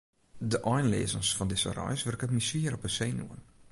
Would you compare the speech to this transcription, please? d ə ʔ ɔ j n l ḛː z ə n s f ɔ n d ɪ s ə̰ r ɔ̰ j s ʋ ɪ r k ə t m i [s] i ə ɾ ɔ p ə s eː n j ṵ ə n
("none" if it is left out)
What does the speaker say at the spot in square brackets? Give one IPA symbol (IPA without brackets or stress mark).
s